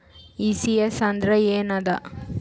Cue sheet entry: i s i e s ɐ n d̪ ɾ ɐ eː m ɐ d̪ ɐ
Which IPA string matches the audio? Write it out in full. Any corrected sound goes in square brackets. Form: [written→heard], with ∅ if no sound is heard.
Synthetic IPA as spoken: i s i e s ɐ n d̪ ɾ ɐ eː [m→n] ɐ d̪ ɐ